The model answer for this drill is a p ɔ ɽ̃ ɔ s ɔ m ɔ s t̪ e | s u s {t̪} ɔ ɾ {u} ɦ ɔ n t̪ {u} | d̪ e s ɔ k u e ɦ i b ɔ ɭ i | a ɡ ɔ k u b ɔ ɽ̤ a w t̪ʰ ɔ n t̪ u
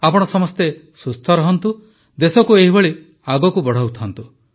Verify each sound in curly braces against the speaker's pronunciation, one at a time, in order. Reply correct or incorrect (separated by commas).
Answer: incorrect, incorrect, correct